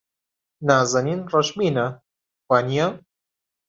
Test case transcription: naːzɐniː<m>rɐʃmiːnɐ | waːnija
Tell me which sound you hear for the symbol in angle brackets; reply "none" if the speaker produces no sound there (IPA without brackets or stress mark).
n